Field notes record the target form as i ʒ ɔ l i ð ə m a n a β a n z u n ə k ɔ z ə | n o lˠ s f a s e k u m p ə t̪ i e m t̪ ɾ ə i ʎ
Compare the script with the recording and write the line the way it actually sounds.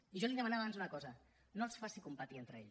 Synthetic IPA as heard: i ʒ ɔ l i ð ə m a n a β a n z u n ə k ɔ z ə | n o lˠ s f a s i k u m p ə t̪ i e n t̪ ɾ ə e ʎ